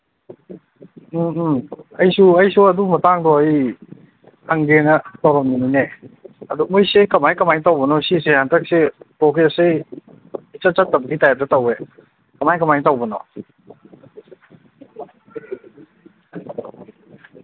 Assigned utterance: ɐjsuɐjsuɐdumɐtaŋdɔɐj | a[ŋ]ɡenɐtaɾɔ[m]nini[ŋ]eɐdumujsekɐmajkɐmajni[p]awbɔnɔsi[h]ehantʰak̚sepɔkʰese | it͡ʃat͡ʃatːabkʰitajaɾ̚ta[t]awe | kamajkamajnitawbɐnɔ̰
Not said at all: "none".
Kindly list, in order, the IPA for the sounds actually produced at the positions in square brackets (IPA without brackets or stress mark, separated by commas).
ŋ, m, n, t, s, t